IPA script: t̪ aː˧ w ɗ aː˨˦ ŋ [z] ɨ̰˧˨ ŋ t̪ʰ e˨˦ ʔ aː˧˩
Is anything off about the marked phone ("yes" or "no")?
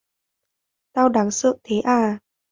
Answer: yes